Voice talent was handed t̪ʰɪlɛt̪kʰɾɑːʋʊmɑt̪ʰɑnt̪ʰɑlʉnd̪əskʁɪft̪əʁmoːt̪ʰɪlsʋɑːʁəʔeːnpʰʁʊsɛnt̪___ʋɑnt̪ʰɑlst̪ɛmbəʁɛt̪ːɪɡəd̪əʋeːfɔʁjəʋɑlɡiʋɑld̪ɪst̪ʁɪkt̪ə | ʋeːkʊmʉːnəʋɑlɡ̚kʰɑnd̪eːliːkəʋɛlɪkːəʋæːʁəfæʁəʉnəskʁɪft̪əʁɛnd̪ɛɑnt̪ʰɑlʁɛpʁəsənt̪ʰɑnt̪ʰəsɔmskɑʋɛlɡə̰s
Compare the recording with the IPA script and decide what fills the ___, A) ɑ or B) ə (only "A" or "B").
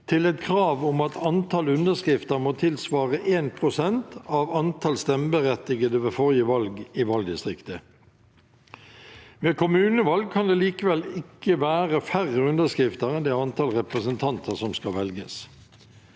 A